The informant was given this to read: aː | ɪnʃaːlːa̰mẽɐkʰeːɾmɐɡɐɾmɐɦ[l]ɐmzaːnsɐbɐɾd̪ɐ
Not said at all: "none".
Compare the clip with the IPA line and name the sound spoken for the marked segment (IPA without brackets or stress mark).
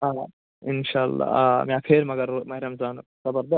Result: ɾ